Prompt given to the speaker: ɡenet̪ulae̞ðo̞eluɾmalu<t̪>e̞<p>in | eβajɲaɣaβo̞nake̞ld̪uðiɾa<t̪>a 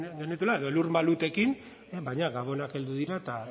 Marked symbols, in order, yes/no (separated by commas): yes, no, yes